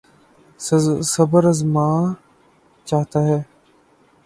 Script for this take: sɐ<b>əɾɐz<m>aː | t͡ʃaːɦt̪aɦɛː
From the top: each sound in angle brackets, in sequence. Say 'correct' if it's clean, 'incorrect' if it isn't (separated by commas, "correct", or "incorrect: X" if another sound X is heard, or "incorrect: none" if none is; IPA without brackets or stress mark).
correct, correct